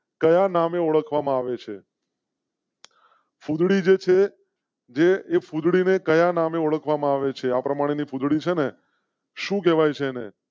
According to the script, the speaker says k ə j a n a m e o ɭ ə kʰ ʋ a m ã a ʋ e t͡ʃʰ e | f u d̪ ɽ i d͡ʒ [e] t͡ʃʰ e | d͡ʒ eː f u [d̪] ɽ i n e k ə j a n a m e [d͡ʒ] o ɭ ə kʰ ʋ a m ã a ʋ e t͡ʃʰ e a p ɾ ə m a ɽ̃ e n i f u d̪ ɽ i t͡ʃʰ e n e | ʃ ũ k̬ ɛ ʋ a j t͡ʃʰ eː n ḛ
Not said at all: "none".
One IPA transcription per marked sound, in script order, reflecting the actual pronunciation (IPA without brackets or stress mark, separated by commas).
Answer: e, d̪, none